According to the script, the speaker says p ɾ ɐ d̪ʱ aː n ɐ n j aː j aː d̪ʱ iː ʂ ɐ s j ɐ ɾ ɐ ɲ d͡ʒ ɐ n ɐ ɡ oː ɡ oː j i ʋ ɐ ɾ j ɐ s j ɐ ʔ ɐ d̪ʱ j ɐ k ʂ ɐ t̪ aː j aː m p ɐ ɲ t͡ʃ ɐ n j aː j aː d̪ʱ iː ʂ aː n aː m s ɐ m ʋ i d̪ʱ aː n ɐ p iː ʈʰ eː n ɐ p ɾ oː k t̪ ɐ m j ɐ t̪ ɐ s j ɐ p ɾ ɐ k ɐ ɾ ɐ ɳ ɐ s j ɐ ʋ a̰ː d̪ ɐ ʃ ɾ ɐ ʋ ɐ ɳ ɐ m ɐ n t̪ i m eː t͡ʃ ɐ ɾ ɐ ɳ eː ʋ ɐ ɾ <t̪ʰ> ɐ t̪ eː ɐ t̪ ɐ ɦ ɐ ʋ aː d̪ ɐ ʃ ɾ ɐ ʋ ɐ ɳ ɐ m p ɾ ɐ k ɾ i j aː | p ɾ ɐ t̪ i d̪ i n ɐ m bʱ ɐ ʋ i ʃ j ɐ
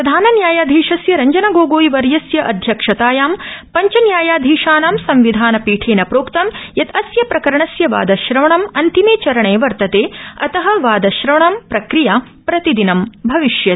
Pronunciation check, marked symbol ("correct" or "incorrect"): incorrect